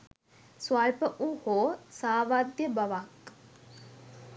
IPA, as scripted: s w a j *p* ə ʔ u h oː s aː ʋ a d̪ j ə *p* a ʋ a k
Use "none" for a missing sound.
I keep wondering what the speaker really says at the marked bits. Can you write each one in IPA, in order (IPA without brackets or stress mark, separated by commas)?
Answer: p, b